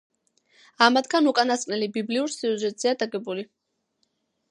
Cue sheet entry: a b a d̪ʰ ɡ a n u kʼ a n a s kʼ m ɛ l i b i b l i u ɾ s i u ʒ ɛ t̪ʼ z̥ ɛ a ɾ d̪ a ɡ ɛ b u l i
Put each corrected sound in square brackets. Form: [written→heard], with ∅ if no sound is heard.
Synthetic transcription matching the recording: a [b→m] a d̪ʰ ɡ a n u kʼ a n a s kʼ [m→n] ɛ l i b i b l i u ɾ s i u ʒ ɛ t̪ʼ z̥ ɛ a [ɾ→∅] d̪ a ɡ ɛ b u l i